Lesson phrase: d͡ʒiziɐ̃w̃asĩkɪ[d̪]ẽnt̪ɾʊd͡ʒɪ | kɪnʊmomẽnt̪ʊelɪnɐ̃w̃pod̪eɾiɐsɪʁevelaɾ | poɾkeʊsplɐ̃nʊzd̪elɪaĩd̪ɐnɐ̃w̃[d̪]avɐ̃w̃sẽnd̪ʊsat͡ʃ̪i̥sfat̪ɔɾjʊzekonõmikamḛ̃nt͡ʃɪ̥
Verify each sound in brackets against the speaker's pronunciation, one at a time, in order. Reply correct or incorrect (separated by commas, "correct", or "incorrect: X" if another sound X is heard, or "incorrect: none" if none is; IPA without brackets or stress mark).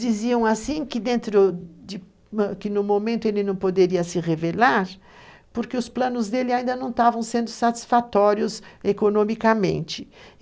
correct, incorrect: t̪